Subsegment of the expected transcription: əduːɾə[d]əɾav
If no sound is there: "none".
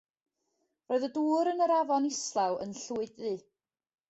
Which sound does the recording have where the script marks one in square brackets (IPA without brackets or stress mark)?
n